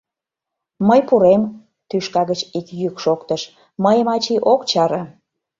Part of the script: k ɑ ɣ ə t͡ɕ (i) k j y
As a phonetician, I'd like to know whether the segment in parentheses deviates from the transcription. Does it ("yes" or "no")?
no